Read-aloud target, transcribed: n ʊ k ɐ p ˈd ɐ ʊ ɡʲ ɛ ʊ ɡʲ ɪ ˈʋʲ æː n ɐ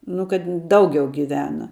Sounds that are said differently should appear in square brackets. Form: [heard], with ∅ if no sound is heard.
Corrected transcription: n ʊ k ɐ [t] ˈd ɐ ʊ ɡʲ ɛ ʊ ɡʲ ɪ ˈʋʲ æː n ɐ